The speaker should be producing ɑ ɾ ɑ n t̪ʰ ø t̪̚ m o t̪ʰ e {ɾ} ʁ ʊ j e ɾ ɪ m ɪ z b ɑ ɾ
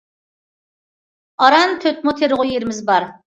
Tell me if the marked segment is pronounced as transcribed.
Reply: yes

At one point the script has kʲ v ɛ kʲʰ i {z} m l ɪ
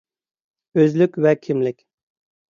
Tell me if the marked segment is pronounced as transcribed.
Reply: no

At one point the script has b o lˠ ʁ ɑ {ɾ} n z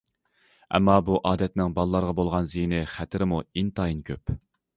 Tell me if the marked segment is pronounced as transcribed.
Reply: no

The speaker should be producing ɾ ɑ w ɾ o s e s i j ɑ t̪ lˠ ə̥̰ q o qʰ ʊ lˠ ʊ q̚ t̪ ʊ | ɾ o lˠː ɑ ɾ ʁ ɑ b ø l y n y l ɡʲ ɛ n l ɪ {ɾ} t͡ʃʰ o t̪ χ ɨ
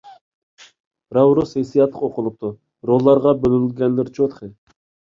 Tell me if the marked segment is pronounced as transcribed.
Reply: yes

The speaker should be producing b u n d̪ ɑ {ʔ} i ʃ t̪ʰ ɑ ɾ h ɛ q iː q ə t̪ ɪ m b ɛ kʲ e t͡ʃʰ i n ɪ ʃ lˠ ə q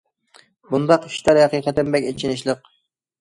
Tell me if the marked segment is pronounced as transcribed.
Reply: no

